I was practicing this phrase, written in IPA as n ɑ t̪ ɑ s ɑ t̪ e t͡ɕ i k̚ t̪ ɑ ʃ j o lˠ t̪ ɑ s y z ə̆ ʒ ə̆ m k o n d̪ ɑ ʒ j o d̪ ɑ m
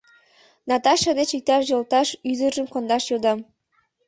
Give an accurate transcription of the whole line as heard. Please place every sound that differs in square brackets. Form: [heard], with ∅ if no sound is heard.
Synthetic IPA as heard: n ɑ t̪ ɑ [ʃ] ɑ [d̪] e t͡ɕ i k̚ t̪ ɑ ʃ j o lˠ t̪ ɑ [ʃ] y z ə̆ ʒ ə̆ m k o n d̪ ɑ [ʃ] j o d̪ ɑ m